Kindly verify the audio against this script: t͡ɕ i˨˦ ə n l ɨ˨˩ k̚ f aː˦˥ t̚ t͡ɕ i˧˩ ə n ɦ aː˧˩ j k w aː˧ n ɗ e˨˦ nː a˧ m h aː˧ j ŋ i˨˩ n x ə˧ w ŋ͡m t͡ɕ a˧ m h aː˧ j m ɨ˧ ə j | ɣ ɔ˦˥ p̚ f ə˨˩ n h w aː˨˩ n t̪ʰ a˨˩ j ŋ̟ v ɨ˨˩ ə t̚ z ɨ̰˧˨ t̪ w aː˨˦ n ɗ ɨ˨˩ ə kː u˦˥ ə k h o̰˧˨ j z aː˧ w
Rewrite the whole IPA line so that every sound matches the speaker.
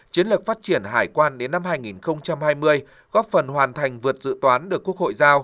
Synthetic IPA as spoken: t͡ɕ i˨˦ ə n l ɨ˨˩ k̚ f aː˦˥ t̚ t͡ɕ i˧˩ ə n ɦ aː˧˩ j k w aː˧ n ɗ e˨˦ nː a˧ m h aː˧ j ŋ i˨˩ n x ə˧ w ŋ͡m t͡ɕ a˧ m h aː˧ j m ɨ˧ ə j | ɣ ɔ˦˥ p̚ f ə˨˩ n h w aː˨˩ n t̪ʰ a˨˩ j ŋ̟ v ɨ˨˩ ə t̚ z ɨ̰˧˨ t̪ w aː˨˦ n ɗ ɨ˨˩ ə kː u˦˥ ə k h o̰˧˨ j z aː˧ w